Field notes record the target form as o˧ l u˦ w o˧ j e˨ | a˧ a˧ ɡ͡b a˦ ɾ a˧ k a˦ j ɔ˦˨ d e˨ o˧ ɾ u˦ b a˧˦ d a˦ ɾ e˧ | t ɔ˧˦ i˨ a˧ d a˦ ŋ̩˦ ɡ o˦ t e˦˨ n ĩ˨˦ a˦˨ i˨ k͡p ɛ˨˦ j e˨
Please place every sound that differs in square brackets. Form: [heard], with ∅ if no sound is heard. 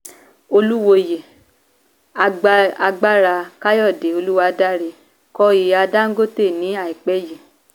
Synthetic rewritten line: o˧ l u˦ w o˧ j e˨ | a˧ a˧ ɡ͡b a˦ ɾ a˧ k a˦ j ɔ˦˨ d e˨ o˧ [l] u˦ [w] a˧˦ d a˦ ɾ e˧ | [k] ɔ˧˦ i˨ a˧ d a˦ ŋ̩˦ ɡ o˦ t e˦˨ n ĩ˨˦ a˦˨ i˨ k͡p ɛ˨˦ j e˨